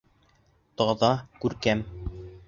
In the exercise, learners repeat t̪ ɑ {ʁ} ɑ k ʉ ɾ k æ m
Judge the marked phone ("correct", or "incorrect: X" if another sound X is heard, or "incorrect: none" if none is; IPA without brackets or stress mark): incorrect: ð